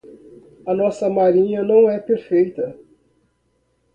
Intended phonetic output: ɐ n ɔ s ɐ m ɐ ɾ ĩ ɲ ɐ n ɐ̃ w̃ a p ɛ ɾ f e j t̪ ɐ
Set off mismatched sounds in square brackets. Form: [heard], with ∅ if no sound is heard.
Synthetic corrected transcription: ɐ n ɔ s ɐ m [a] ɾ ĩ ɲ ɐ n ɐ̃ w̃ [ɛ] p [e] ɾ f e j t̪ ɐ

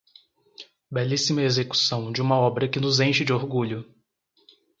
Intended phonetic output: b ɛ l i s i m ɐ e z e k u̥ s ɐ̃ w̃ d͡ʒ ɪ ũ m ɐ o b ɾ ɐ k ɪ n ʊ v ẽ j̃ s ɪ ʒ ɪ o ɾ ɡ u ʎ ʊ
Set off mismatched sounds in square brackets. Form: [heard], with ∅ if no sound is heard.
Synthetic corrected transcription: b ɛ l i s i m ɐ e z e k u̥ s ɐ̃ w̃ d͡ʒ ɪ ũ m ɐ [ɔ] b ɾ ɐ k ɪ n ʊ [z] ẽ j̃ [ʃ] ɪ [d͡ʒ] ɪ o ɾ ɡ u ʎ ʊ

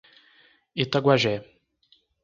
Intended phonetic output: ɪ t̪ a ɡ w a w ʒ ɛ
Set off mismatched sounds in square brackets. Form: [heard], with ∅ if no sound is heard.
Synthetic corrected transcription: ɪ t̪ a ɡ w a [∅] ʒ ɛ

